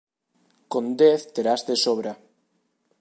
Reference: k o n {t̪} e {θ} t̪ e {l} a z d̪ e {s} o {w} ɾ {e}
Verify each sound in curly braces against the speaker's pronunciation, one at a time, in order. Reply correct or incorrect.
incorrect: d̪, correct, incorrect: ɾ, correct, incorrect: β, incorrect: a

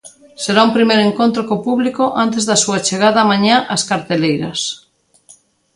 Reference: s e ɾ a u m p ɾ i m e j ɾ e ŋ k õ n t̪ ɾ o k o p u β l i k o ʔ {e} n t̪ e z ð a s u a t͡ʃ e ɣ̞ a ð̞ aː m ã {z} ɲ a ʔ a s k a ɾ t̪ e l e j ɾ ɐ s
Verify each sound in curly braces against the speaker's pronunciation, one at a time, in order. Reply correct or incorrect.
incorrect: a, incorrect: none

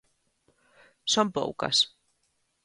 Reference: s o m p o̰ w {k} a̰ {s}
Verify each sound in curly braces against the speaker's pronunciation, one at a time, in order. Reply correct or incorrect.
correct, correct

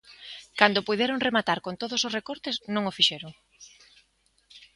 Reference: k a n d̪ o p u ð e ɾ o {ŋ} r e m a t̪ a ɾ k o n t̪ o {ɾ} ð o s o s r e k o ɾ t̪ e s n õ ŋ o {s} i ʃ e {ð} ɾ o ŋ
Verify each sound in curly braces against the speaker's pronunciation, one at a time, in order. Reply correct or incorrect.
correct, incorrect: none, incorrect: f, incorrect: none

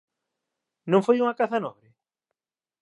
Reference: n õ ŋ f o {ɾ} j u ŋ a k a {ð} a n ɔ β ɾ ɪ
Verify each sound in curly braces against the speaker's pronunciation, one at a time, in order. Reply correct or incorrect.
incorrect: none, incorrect: θ

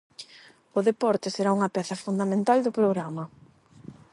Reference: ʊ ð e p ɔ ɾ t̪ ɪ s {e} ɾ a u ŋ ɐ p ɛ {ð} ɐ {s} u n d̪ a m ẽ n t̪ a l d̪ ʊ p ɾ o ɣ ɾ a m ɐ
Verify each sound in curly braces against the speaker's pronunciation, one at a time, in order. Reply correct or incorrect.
correct, incorrect: θ, incorrect: f

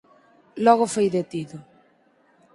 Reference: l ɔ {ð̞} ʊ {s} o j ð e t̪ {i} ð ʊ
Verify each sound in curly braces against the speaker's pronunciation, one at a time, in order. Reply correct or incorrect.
incorrect: ɣ̞, incorrect: f, correct

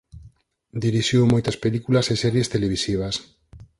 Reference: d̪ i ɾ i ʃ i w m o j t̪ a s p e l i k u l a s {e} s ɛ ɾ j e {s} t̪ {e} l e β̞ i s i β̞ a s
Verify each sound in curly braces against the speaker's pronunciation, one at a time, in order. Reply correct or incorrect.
correct, correct, correct

